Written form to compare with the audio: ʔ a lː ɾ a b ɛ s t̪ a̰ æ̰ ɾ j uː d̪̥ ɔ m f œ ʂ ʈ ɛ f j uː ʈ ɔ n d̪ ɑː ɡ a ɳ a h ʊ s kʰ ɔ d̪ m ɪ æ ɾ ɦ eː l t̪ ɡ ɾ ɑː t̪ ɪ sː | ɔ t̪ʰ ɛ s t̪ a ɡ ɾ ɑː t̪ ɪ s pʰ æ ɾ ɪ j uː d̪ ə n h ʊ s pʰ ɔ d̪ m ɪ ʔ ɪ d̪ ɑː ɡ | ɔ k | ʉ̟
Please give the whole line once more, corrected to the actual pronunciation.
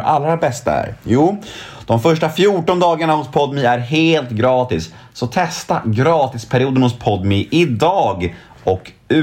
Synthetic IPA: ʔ a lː ɾ a b ɛ s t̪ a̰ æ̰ ɾ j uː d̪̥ ɔ m f œ ʂ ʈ a f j uː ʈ ɔ n d̪ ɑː ɡ a ɳ a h ʊ s pʰ ɔ d̪ m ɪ æ ɾ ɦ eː l t̪ ɡ ɾ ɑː t̪ ɪ sː | ɔ t̪ʰ ɛ s t̪ a ɡ ɾ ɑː t̪ ɪ s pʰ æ ɾ ɪ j uː d̪ ə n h ʊ s pʰ ɔ d̪ m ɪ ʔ ɪ d̪ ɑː ɡ | ɔ k | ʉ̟